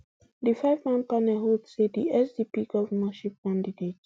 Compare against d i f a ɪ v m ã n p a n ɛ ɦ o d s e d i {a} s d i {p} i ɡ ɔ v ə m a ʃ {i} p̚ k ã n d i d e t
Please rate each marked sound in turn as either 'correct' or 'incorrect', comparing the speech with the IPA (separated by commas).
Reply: incorrect, correct, correct